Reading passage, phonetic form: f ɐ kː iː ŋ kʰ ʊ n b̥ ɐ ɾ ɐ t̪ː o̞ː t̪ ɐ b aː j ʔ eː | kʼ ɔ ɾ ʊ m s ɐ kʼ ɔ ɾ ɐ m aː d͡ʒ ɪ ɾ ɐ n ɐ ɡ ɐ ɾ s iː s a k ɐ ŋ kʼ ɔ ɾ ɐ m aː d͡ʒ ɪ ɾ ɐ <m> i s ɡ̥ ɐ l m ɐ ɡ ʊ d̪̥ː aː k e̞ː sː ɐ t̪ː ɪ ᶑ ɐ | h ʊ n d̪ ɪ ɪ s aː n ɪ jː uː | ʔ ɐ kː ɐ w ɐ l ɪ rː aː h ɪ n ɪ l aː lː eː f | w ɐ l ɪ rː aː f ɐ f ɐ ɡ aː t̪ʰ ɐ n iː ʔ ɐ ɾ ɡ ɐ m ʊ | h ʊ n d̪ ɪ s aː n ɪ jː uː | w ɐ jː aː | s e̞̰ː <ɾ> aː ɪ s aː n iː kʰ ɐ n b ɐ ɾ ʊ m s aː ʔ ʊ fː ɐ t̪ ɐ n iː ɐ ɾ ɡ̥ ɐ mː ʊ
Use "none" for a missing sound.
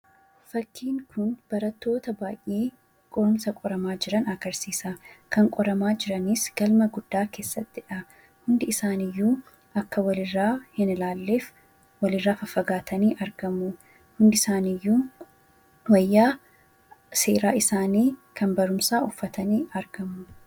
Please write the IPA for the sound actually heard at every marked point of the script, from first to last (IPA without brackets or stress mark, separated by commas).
n, ɾ